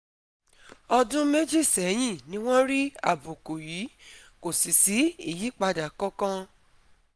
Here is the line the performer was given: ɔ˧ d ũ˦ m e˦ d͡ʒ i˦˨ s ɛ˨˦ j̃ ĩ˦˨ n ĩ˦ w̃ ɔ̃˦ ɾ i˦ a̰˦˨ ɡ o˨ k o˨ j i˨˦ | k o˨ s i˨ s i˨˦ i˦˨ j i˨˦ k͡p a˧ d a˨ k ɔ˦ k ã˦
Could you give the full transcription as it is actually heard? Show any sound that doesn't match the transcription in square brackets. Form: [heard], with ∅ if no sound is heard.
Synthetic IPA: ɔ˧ d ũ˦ m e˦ d͡ʒ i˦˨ s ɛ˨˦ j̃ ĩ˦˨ n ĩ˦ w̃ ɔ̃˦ ɾ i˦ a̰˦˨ [b] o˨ k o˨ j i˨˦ | k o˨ s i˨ s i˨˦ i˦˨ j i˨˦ k͡p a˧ d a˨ k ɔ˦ k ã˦